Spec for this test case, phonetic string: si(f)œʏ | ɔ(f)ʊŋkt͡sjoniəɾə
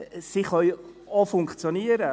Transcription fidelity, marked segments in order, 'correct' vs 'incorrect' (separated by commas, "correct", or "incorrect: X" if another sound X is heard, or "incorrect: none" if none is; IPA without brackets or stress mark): incorrect: χ, correct